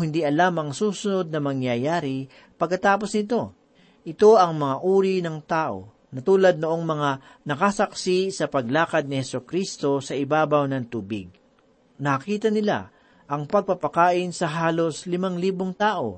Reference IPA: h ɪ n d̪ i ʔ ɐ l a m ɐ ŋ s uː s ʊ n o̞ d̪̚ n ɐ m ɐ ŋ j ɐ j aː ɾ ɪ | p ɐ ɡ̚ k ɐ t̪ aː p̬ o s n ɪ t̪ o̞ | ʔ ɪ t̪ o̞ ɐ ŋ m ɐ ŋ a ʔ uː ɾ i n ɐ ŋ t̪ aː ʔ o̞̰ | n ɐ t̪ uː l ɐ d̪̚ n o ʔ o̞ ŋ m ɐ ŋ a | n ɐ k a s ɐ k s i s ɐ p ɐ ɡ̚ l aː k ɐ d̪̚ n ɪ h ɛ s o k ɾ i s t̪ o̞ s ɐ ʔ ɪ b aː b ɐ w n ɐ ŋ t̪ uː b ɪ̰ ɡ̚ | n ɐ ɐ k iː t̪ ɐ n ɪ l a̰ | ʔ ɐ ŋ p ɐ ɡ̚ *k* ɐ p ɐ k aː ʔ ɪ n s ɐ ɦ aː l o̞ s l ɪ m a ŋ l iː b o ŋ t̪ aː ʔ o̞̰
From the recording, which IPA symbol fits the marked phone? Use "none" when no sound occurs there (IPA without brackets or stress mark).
p